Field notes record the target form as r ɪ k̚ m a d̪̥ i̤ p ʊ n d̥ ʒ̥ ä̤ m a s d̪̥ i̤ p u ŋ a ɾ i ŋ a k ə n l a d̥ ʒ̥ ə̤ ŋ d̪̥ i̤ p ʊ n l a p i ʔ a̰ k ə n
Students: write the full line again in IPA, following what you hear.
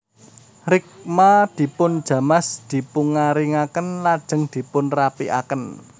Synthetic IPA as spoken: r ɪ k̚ m a d̪̥ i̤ p ʊ n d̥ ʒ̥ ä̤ m a s d̪̥ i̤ p u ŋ a ɾ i ŋ a k ə n l a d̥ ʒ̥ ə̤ ŋ d̪̥ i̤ p ʊ n r a p i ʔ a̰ k ə n